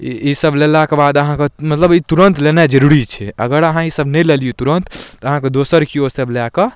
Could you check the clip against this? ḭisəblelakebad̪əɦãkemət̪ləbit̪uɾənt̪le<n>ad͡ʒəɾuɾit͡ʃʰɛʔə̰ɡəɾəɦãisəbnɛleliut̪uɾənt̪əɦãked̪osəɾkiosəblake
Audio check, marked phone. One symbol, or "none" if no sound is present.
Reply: n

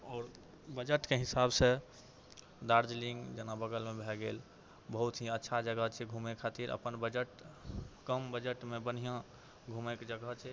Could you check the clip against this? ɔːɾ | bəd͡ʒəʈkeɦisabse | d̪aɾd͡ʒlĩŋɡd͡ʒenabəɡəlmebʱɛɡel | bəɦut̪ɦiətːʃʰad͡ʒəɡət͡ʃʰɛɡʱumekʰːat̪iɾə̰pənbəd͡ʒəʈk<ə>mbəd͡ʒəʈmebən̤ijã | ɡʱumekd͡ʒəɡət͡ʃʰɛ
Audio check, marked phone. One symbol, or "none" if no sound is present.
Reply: ə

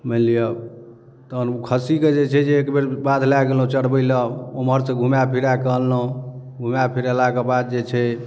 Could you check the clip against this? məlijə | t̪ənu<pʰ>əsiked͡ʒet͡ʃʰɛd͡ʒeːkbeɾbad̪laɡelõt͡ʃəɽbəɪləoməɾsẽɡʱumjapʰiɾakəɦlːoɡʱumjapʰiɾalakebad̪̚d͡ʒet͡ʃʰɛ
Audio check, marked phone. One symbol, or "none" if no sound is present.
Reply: kʰ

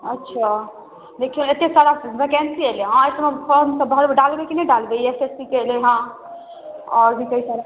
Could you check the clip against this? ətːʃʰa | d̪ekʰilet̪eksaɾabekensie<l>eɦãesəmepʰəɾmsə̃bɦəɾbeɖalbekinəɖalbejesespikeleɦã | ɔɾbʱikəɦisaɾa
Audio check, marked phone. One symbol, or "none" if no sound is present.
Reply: l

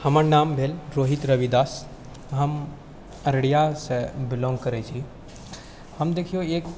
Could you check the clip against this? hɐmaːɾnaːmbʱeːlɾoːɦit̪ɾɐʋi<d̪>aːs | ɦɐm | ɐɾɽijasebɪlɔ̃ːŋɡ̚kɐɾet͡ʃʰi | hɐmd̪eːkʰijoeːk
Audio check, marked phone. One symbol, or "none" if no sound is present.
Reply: d̪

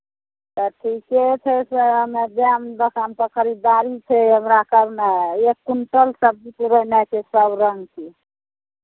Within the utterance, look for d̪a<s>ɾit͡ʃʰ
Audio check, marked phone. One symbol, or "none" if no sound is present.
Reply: none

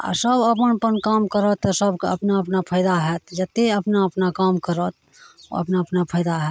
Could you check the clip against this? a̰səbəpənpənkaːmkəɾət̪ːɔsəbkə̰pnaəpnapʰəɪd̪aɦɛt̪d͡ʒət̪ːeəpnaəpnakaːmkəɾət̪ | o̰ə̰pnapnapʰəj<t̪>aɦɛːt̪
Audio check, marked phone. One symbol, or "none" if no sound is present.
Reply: d̪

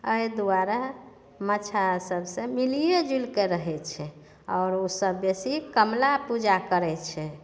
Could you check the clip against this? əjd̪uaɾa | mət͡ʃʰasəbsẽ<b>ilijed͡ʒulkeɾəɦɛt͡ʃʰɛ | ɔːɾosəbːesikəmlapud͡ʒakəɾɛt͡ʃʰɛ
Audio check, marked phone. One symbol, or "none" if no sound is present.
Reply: m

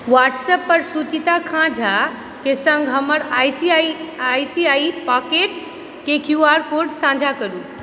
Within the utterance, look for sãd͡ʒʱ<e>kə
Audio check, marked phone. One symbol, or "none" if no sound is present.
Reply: a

